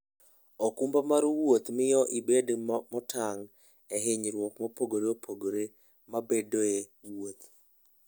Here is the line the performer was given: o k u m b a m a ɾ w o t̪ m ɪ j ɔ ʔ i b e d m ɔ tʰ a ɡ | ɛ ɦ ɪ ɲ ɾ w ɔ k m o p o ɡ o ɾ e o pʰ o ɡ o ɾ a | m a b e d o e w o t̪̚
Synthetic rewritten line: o k u m b a m a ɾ w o t̪ m ɪ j ɔ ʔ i b e d m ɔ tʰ a ŋ | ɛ ɦ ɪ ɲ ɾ w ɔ k m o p o ɡ o ɾ e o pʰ o ɡ o ɾ e | m a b e d o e w o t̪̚